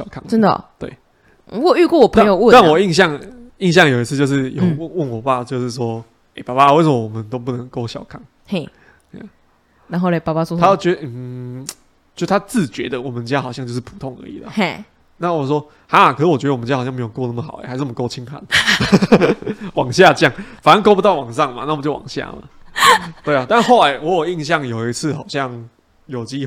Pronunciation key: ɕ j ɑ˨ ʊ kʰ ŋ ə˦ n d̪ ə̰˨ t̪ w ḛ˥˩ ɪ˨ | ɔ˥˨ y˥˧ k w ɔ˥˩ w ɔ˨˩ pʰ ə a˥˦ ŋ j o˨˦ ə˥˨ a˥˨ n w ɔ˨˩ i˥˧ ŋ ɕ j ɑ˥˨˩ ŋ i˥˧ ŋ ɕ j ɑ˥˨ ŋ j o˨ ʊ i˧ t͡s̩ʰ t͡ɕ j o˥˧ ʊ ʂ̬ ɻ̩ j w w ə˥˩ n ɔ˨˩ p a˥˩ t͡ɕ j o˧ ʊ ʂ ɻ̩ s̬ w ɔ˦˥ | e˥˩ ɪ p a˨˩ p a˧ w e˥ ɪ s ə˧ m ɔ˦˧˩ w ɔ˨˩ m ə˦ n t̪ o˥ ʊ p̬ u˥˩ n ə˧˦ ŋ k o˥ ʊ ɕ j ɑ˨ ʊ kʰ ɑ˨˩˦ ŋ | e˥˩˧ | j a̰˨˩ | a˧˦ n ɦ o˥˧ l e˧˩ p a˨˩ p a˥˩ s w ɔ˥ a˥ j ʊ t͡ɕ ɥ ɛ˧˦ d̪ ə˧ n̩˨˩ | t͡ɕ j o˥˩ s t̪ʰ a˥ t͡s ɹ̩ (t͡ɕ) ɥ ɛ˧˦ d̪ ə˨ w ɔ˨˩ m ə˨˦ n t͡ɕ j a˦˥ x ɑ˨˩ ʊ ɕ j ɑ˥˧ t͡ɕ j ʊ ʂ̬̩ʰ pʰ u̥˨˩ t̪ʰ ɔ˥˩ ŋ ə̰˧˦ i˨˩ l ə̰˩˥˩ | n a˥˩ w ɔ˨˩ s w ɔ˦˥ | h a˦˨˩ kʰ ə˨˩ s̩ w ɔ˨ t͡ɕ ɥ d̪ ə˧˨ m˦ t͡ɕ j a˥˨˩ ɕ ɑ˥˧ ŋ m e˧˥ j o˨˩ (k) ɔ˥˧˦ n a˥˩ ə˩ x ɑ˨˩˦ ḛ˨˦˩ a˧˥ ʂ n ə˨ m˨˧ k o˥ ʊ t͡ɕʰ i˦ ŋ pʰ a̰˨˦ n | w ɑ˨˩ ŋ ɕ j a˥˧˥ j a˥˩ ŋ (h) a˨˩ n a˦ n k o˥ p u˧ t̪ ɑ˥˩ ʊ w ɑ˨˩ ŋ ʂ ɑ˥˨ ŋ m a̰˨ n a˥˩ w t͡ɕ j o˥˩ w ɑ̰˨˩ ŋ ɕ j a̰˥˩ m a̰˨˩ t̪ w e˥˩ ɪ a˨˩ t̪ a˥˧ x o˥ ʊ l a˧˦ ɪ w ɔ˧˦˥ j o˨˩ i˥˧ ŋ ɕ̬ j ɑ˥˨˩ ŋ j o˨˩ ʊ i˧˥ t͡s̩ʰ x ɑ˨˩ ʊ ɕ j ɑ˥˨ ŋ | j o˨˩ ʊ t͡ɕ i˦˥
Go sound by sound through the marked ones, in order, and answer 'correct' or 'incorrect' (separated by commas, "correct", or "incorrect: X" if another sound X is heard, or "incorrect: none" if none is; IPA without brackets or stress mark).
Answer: correct, correct, incorrect: f